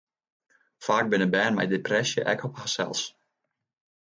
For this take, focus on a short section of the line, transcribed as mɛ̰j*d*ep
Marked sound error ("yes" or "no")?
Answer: no